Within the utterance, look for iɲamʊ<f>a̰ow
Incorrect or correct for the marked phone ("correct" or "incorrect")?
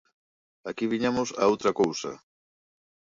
incorrect